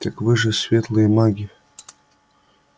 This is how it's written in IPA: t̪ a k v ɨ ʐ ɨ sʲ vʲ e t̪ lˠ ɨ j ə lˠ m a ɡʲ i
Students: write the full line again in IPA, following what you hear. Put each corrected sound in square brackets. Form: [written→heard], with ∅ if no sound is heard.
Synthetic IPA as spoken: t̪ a k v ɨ ʐ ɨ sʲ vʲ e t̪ lˠ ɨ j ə [lˠ→∅] m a ɡʲ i